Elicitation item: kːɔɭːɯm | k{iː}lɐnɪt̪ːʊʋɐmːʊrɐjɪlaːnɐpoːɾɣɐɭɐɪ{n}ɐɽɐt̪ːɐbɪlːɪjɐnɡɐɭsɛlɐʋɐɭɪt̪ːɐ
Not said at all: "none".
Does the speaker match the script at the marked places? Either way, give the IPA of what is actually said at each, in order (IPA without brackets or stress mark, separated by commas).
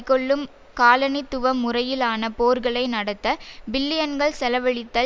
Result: aː, n